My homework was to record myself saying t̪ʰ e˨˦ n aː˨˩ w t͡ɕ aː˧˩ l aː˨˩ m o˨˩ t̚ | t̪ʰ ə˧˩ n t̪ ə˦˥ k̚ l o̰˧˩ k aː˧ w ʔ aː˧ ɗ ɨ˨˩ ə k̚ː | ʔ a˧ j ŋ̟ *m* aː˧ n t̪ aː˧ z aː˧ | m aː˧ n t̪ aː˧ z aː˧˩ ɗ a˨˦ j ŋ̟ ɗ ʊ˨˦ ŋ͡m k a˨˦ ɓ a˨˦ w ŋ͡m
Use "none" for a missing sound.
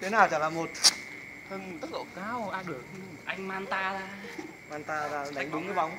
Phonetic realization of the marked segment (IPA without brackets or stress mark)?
m